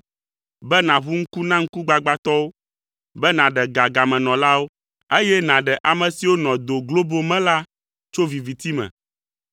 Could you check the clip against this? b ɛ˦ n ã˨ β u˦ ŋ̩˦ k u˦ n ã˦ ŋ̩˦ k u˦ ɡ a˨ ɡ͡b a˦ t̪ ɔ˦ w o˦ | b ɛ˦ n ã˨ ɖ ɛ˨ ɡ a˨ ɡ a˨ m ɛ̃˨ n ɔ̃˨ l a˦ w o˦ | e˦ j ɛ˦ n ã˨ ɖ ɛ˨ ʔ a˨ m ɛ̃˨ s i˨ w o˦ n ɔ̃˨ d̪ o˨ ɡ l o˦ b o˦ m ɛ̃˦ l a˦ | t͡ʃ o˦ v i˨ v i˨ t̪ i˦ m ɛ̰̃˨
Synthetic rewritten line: b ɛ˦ n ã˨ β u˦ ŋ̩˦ k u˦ n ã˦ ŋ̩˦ k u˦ ɡ͡b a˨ ɡ͡b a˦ t̪ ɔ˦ w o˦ | b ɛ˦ n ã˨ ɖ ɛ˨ ɡ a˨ ɡ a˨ m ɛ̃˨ n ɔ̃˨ l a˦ w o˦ | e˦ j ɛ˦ n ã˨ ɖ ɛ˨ ʔ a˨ m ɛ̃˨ s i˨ w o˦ n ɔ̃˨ d̪ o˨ ɡ l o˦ b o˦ m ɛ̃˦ l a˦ | t͡ʃ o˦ v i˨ v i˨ t̪ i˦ m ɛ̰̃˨